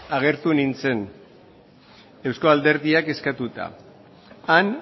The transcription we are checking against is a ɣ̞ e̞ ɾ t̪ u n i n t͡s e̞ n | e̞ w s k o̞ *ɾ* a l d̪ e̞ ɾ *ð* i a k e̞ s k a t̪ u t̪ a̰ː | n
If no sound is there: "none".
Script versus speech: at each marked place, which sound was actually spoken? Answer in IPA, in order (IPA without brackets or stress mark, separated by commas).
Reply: none, ð